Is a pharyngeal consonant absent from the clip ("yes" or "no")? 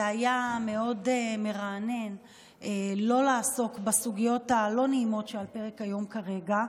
yes